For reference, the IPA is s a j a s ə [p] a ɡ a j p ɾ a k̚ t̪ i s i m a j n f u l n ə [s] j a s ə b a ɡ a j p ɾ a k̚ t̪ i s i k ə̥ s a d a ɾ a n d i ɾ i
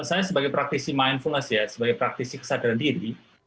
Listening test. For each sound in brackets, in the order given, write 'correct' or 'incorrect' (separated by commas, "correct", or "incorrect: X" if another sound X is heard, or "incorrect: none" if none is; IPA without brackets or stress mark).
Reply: incorrect: b, correct